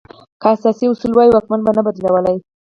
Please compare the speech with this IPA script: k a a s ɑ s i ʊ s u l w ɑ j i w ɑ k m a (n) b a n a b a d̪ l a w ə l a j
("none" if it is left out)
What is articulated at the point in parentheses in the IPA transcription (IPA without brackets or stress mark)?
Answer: n